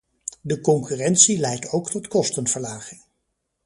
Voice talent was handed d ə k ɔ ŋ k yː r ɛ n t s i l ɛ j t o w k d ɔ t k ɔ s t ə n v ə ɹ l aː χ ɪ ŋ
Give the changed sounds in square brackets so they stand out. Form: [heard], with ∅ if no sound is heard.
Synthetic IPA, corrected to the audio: d ə k ɔ ŋ k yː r ɛ n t s i l ɛ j t o w k [t] ɔ t k ɔ s t ə n v ə ɹ l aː χ ɪ ŋ